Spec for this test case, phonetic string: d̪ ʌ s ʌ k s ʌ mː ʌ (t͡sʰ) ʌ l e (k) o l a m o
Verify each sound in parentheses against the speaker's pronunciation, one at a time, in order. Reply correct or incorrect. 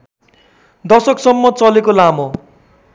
incorrect: t͡s, correct

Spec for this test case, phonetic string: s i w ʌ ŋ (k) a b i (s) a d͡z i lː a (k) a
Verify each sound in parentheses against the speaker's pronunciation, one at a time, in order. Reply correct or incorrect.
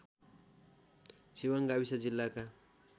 incorrect: ɡ, correct, correct

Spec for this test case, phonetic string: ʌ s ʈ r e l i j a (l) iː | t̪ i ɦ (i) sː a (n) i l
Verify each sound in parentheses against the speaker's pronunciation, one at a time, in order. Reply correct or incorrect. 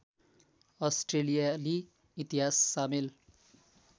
correct, incorrect: a, incorrect: m

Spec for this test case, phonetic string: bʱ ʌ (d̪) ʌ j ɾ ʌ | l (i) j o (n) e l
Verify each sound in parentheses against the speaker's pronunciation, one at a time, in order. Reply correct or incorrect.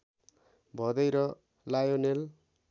correct, incorrect: a, correct

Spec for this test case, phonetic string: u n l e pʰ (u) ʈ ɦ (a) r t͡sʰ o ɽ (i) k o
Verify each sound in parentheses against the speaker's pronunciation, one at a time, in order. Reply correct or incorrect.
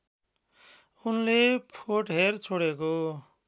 incorrect: o, incorrect: e, incorrect: e

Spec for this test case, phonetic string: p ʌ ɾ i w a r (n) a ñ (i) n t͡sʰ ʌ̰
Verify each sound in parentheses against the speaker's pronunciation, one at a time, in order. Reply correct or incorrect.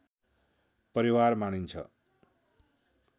incorrect: m, correct

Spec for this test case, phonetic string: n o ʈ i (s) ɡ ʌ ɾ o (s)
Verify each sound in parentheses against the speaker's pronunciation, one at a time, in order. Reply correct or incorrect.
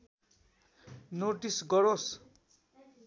correct, correct

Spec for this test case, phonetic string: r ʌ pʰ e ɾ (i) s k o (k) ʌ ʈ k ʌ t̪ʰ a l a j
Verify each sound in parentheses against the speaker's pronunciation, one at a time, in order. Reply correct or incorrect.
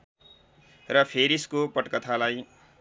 correct, incorrect: p

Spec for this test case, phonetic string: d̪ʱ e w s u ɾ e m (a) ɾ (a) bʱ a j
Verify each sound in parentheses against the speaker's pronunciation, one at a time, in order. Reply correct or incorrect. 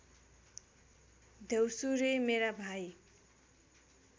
incorrect: e, correct

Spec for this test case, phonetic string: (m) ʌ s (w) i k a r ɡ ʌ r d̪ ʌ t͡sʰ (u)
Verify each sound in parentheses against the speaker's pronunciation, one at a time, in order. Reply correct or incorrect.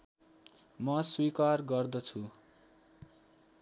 correct, correct, correct

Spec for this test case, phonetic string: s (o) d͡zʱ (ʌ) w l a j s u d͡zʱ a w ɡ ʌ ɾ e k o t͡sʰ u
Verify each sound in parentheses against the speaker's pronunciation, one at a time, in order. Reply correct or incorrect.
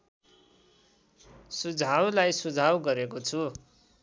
incorrect: u, incorrect: a

